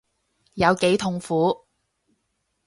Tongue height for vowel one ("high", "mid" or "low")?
low